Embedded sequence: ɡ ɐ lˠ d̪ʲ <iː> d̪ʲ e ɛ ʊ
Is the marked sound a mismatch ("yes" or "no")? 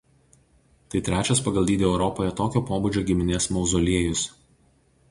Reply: no